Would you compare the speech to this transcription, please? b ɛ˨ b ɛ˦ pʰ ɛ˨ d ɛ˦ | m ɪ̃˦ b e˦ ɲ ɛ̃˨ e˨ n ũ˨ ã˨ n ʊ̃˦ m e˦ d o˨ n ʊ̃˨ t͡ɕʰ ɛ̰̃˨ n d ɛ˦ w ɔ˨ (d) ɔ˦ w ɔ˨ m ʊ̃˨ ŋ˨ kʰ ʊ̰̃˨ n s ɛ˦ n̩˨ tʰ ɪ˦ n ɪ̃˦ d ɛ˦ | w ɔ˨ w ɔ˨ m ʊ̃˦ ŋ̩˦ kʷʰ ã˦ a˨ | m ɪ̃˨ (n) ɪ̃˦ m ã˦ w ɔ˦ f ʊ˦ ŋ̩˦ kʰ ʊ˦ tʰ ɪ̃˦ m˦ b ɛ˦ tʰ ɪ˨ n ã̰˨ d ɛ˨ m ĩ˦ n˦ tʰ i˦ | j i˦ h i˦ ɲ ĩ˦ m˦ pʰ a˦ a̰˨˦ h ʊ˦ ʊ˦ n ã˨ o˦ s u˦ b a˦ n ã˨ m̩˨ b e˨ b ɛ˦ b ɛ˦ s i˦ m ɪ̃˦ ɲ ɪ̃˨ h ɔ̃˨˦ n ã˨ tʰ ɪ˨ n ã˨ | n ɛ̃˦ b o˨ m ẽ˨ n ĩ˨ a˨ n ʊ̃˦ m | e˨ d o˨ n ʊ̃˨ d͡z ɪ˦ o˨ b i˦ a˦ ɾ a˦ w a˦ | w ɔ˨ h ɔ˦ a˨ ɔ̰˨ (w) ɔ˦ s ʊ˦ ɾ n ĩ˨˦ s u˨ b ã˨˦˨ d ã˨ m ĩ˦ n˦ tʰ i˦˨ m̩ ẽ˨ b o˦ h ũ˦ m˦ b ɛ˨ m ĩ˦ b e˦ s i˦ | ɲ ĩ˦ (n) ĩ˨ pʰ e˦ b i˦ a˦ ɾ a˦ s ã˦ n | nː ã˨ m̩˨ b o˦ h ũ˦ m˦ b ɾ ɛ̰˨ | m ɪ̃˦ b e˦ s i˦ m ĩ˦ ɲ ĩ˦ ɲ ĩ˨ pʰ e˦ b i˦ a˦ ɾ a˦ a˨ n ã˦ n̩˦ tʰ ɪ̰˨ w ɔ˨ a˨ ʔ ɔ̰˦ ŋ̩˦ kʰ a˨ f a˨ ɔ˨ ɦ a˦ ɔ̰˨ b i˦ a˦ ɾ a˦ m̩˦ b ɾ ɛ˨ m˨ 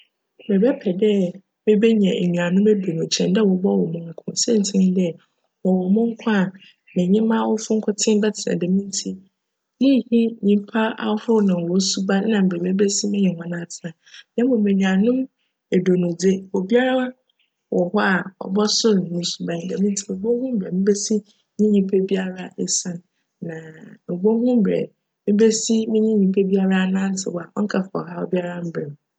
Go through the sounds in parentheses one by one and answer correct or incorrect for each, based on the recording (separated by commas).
incorrect, incorrect, incorrect, incorrect